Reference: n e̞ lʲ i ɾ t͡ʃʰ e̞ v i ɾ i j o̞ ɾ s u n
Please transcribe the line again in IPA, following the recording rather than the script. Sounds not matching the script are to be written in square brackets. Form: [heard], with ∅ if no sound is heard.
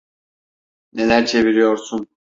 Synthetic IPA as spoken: n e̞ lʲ [æ] ɾ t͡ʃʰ e̞ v i ɾ i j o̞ ɾ s u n